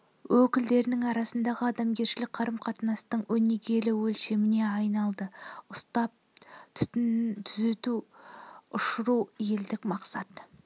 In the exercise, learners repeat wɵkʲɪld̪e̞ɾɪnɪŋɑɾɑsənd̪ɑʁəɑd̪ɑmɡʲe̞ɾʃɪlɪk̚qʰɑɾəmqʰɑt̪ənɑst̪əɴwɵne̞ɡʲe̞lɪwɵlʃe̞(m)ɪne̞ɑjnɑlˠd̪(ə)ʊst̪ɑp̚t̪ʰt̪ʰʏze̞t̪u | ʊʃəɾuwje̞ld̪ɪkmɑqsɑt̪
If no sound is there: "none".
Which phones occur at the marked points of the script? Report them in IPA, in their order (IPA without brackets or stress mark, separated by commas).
m, ə